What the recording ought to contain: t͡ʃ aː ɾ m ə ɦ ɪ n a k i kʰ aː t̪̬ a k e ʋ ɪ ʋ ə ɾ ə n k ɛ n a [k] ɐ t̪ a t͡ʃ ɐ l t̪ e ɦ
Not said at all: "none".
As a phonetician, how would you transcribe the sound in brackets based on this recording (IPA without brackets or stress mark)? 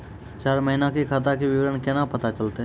p